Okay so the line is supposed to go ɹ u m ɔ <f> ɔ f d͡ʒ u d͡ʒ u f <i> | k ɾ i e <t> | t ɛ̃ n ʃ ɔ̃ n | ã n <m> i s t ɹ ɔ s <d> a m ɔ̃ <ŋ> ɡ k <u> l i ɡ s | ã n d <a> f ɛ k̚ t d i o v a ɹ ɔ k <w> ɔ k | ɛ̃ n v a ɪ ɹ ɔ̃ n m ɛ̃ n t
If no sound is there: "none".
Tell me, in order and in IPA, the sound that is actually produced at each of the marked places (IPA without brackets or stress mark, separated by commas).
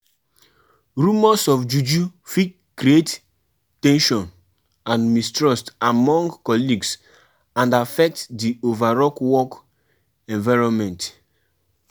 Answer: s, i, t, m, t, ŋ, ɔ, a, w